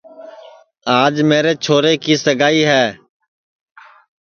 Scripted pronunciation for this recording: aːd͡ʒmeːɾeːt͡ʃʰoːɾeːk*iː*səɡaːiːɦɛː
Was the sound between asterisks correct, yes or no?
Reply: yes